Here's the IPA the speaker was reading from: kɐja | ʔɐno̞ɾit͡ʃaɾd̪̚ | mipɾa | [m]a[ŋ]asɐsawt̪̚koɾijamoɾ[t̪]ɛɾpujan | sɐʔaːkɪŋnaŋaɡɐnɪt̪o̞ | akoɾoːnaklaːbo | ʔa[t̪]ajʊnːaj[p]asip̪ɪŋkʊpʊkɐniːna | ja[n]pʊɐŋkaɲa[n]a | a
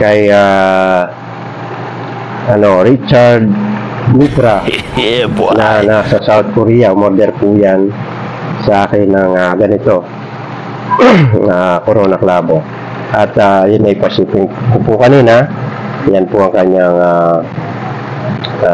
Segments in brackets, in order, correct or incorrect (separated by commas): incorrect, incorrect, incorrect, correct, correct, correct, incorrect